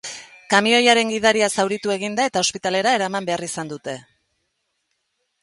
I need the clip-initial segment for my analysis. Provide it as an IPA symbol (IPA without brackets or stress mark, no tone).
k